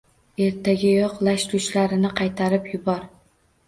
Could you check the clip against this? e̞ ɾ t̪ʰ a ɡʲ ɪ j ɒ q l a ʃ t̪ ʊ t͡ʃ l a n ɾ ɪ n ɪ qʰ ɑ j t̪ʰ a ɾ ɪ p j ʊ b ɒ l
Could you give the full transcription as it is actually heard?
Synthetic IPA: e̞ ɾ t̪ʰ a ɡʲ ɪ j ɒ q l a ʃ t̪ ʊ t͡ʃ l a ɾ ɪ n ɪ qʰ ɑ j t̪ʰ a ɾ ɪ p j ʊ b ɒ ɾ

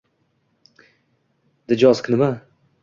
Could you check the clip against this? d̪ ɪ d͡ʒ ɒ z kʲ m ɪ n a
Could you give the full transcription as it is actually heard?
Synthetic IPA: d̪ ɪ d͡ʒ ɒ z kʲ n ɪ m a

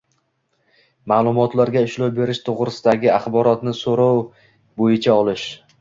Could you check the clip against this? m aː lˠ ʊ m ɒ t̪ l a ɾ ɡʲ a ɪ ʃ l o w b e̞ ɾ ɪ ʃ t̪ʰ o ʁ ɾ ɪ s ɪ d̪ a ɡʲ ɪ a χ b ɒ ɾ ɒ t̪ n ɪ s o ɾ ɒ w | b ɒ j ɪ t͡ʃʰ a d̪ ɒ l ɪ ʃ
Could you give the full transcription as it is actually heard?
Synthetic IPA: m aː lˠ ʊ m ɒ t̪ l a ɾ ɡʲ a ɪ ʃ l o w b e̞ ɾ ɪ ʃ t̪ʰ o ʁ ɾ ɪ s ɪ d̪ a ɡʲ ɪ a χ b ɒ ɾ ɒ t̪ n ɪ s o ɾ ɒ w | b o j ɪ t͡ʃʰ a ɒ l ɪ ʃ

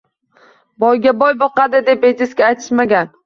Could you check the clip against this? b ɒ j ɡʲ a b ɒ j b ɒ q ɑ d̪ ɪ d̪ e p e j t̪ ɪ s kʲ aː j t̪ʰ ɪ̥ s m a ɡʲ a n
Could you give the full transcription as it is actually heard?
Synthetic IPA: b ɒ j ɡʲ a b ɒ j b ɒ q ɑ d̪ ɪ d̪ e p e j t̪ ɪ s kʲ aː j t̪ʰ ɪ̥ ʃ m a ɡʲ a n

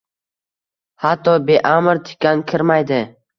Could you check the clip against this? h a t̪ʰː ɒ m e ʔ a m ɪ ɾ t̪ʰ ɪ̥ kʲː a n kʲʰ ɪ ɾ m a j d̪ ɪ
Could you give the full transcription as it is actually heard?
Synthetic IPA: h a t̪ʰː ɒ b e ʔ a m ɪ ɾ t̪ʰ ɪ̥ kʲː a n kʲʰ ɪ ɾ m a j d̪ ɪ

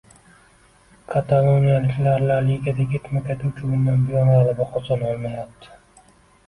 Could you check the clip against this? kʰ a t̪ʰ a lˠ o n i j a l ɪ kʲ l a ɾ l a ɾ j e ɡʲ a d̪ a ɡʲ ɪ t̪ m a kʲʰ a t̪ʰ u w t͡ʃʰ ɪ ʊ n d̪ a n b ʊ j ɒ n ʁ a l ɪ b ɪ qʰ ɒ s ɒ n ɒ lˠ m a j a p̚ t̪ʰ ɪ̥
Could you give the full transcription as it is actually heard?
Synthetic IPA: kʰ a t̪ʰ a lˠ o n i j a l ɪ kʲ l a ɾ l a ɾ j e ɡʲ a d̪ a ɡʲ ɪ t̪ m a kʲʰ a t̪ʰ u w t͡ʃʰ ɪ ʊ n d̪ a n b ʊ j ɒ n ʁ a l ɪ b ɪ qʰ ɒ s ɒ n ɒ lˠ m a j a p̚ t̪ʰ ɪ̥

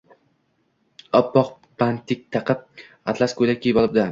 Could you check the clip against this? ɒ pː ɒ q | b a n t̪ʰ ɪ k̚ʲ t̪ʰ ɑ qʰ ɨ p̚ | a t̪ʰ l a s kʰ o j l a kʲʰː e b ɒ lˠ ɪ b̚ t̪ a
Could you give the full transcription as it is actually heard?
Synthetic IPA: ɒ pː ɒ q | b a n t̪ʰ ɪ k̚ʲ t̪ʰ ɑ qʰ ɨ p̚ | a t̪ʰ l a s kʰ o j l a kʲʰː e b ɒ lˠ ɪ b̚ d̪ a

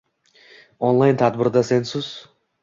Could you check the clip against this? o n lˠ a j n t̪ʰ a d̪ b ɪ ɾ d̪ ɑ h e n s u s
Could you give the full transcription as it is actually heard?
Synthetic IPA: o n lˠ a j n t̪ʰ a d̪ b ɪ ɾ d̪ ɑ s e n s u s

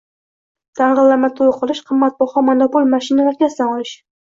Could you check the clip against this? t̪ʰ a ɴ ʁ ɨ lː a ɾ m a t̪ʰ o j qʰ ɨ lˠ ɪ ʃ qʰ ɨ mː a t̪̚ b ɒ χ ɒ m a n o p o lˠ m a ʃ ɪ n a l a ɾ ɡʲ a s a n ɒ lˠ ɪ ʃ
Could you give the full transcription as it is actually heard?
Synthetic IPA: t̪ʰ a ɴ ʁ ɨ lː a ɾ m a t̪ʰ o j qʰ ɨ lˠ ɪ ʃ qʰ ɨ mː a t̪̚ b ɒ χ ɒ m a n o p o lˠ m a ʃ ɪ n a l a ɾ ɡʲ a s a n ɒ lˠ ɪ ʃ

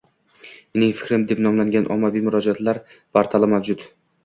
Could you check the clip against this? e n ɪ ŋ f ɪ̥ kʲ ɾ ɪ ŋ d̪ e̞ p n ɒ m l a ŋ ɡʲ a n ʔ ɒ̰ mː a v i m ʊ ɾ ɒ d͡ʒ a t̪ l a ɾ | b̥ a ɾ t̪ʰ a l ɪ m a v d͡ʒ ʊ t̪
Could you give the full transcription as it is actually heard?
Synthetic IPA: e n ɪ ŋ f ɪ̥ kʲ ɾ ɪ m d̪ e̞ p n ɒ m l a ŋ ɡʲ a n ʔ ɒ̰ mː a v i m ʊ ɾ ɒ d͡ʒ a t̪ l a ɾ | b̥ a ɾ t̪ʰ a l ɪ m a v d͡ʒ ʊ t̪

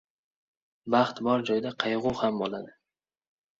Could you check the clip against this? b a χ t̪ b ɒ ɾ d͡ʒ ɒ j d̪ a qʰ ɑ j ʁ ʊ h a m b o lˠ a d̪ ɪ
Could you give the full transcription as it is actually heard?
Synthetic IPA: b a χ t̪ b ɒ ɾ d͡ʒ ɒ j d̪ a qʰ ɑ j ʁ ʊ h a m b o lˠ a d̪ ɪ

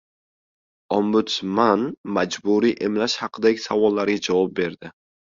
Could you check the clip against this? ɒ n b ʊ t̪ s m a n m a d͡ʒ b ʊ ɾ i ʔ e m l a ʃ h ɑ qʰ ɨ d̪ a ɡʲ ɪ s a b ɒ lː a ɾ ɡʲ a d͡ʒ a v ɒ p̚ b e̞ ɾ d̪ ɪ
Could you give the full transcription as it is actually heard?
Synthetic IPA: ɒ m b ʊ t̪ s m a n m a d͡ʒ b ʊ ɾ i ʔ e m l a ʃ h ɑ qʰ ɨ d̪ a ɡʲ ɪ s a v ɒ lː a ɾ ɡʲ a d͡ʒ a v ɒ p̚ b e̞ ɾ d̪ ɪ

